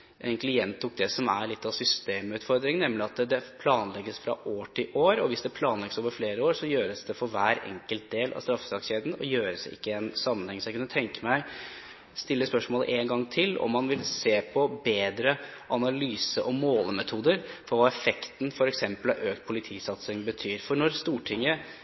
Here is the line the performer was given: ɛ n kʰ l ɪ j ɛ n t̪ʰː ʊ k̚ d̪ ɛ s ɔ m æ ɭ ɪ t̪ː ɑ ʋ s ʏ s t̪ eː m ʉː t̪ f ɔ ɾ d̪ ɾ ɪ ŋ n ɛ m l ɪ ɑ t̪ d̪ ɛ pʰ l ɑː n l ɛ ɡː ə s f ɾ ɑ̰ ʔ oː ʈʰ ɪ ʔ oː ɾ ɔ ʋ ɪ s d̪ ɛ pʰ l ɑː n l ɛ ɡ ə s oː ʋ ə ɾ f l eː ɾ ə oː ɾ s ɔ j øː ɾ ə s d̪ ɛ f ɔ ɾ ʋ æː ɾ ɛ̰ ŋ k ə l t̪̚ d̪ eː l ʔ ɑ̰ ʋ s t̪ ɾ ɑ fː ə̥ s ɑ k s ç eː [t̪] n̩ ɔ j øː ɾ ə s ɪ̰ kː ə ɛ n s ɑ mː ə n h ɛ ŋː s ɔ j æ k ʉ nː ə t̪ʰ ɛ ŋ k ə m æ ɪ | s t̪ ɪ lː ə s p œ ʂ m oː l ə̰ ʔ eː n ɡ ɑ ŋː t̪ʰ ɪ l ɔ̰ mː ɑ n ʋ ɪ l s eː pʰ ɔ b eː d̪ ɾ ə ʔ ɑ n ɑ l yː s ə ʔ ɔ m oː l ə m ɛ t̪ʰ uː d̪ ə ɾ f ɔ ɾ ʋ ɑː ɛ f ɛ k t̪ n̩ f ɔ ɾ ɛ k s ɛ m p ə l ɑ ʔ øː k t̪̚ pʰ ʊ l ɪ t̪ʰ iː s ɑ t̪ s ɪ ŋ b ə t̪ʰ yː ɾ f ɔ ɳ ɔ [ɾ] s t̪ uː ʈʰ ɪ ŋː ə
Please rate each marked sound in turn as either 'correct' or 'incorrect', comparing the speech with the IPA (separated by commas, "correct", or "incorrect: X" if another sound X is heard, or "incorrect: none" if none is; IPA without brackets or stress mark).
incorrect: d̪, correct